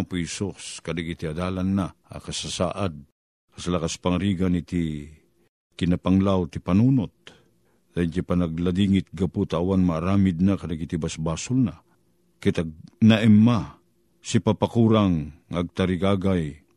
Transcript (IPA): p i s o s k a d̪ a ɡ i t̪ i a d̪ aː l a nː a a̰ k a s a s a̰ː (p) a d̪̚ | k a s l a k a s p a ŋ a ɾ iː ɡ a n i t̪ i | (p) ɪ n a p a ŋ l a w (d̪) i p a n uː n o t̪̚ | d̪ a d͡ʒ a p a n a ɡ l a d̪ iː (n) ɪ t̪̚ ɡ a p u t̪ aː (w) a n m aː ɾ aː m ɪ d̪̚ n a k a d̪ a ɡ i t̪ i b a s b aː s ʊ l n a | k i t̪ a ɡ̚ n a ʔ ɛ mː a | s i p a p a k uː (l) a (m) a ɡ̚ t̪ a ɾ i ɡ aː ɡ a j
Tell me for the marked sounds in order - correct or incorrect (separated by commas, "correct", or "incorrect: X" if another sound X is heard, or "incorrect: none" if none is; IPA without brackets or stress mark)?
incorrect: ʔ, incorrect: k, incorrect: t̪, incorrect: ŋ, correct, incorrect: ɾ, incorrect: ŋ